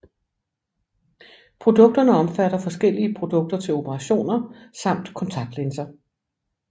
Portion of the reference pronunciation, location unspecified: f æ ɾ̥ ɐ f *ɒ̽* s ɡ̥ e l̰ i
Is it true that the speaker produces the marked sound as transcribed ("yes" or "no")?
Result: yes